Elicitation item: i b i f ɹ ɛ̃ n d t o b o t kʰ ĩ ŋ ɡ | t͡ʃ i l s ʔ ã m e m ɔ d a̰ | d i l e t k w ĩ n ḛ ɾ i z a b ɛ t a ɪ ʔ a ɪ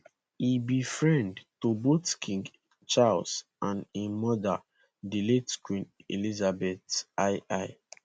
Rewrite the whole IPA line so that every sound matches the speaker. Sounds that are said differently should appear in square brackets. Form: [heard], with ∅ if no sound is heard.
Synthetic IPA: i b i f ɹ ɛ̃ n d t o b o t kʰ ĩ ŋ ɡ | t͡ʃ [a] l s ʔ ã [n] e m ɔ d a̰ | d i l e t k w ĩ n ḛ [l] i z a b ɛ t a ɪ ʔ a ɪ